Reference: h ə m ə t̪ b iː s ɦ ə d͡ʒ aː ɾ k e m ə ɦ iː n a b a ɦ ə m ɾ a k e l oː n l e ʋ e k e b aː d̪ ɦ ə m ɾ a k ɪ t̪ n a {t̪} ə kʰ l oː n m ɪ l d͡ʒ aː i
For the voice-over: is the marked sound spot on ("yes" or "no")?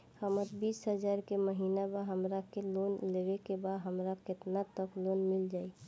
yes